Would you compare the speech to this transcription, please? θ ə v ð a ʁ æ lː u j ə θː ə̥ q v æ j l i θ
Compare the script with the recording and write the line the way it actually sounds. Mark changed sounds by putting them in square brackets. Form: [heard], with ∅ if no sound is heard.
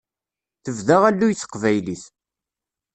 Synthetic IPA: θ ə v ð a ʁ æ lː u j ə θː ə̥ q v æ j l i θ

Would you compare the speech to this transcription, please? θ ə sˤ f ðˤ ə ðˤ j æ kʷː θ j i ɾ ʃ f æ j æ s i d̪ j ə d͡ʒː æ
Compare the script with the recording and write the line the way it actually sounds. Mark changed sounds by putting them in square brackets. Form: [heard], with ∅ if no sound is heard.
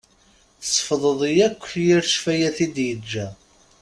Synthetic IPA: θ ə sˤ f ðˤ ə ðˤ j æ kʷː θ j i ɾ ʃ f æ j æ [θ] i d̪ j ə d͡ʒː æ

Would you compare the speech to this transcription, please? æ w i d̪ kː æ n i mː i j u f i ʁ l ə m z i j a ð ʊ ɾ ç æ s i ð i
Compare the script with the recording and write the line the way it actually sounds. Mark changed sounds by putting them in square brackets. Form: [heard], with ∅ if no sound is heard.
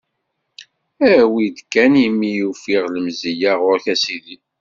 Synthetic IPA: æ w i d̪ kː æ n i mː i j u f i ʁ l ə m z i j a [ʁ] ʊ ɾ ç æ s i ð i

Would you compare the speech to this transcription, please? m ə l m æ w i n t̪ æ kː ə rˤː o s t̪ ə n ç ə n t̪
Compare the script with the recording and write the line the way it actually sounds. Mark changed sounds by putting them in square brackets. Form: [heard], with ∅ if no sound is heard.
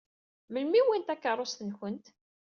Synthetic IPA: m ə l m [i] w i n t̪ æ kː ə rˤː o s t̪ ə n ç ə n t̪

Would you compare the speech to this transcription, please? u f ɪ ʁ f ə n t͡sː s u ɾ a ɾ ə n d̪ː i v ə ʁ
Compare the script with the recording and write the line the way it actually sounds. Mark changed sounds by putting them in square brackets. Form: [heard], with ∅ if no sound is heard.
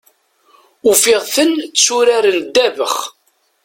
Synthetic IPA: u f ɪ ʁ [θ] ə n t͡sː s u ɾ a ɾ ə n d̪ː [æ] v ə [χ]

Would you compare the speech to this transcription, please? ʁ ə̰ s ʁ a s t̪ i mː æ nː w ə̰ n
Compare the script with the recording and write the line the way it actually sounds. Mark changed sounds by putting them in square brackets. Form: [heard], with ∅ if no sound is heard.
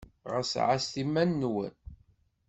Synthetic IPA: ʁ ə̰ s [ʕ] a s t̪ i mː æ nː w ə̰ n

